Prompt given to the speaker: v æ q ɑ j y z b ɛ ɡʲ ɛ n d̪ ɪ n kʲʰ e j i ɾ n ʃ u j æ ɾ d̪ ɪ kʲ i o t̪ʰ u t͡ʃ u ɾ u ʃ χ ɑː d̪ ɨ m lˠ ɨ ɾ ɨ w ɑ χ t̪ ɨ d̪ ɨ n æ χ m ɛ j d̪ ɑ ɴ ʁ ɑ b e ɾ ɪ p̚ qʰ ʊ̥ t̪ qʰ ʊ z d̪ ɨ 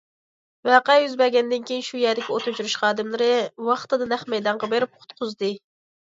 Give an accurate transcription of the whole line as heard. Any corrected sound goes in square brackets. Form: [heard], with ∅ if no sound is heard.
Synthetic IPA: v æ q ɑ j y z b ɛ ɡʲ ɛ n d̪ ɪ n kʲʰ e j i [∅] n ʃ u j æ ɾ d̪ ɪ kʲ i o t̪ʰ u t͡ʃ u ɾ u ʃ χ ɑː d̪ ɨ m lˠ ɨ ɾ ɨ w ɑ χ t̪ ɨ d̪ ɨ n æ χ m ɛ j d̪ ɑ ɴ ʁ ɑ b e ɾ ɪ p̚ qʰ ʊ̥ t̪ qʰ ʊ z d̪ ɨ